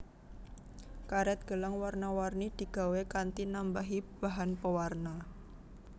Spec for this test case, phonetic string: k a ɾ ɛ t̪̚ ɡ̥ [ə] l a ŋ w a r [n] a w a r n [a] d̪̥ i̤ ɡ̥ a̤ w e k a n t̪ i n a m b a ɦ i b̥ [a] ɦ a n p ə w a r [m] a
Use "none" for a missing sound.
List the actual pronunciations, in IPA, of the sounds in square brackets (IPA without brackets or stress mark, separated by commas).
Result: ə, n, i, a, n